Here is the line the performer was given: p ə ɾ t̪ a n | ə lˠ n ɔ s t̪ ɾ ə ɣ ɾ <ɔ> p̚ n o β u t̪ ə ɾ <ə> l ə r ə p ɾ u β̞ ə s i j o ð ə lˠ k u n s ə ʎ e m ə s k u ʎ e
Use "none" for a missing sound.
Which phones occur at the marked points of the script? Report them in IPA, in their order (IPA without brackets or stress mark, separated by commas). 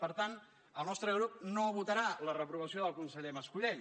u, a